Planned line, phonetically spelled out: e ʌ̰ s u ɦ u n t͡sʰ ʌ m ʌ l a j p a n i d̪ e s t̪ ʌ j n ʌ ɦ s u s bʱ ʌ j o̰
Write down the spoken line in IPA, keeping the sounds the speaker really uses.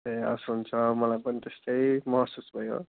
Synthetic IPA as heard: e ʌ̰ s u ɦ u n t͡sʰ ʌ m ʌ l a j p ʌ n i t̪ e s t̪ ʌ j m ʌ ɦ s u s bʱ ʌ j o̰